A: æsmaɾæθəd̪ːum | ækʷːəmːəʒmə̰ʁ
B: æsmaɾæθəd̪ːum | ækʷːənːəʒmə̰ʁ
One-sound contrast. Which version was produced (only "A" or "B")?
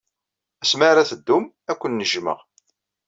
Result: B